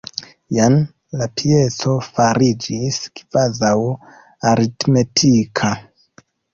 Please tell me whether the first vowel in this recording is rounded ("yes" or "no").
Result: no